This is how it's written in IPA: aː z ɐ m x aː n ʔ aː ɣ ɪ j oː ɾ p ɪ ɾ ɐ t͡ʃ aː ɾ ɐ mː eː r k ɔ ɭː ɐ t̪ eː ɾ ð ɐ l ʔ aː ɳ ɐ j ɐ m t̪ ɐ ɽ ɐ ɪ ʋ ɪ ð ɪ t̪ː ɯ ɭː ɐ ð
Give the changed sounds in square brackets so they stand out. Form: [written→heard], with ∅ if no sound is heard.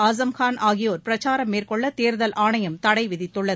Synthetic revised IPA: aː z ɐ m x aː n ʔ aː ɣ ɪ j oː ɾ p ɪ ɾ ɐ t͡ʃ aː ɾ ɐ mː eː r k ɔ ɭː ɐ t̪ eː ɾ ð ɐ l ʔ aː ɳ ɐ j ɐ m t̪ ɐ ɽ ɐ ɪ ʋ ɪ ð ɪ t̪ː ɯ ɭː ɐ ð